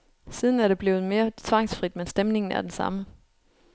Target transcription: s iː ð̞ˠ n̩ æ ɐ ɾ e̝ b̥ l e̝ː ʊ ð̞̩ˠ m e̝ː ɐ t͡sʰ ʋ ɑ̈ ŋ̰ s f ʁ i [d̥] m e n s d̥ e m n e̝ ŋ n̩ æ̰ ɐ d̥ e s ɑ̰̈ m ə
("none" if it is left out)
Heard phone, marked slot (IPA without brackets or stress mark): d̥